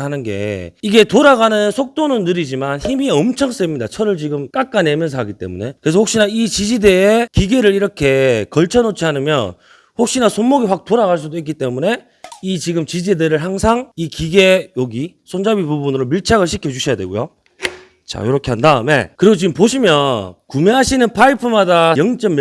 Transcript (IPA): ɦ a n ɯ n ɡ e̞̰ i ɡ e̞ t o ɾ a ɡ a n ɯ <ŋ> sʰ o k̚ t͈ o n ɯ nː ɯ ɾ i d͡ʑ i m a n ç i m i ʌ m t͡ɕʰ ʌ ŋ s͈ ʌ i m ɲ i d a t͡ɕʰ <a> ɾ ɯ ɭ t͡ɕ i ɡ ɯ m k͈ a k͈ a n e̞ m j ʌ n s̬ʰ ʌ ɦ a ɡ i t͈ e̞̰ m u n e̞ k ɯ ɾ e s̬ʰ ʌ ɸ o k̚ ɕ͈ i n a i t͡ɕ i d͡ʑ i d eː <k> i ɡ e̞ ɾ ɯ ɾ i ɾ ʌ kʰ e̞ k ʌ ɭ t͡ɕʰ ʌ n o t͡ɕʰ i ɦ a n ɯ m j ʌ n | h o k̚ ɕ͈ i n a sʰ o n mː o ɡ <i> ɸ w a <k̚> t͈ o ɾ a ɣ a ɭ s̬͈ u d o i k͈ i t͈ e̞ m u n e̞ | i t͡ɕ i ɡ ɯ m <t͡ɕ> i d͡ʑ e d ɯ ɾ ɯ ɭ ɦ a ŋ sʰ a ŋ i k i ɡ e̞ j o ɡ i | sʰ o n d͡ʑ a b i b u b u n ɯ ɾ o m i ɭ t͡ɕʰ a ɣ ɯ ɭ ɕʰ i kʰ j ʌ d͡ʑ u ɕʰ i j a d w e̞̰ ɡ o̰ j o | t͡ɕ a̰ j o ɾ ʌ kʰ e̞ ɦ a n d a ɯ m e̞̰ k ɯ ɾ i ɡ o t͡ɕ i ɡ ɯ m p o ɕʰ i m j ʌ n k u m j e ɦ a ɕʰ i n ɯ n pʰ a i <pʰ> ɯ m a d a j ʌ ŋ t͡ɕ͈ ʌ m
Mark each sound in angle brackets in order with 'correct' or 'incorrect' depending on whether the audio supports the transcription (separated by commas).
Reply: incorrect, incorrect, correct, correct, correct, correct, correct